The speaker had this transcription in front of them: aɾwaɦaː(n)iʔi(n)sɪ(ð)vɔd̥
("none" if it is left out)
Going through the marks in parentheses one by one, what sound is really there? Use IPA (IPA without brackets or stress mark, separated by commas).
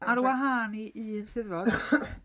n, n, ð